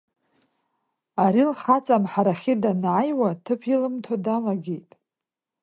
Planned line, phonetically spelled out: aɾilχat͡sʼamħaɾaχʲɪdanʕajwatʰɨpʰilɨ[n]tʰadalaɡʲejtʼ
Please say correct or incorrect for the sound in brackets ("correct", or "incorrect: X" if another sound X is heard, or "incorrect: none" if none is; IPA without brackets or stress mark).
incorrect: m